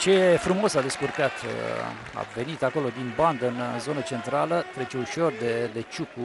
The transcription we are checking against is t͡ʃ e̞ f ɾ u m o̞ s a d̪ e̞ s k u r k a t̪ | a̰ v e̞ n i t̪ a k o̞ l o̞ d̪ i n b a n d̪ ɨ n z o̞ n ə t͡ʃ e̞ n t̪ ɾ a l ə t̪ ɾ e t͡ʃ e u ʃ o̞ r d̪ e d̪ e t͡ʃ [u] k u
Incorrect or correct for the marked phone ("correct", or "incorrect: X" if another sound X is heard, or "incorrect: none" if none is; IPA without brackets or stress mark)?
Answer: correct